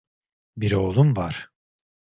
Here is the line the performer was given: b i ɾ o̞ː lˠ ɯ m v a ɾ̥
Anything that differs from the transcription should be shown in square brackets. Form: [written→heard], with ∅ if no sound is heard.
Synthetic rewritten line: b i ɾ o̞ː lˠ [ɯ→u] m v a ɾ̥

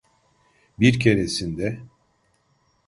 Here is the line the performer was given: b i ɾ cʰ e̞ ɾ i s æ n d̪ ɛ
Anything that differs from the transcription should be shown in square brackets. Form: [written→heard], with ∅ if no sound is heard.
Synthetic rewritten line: b i ɾ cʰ e̞ ɾ [i→e] s [æ→i] n d̪ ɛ

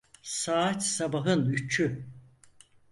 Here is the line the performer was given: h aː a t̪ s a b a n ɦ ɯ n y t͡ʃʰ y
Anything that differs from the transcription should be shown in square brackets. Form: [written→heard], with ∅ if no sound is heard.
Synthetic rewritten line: [h→s] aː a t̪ s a b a [n→∅] ɦ ɯ n y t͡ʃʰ y

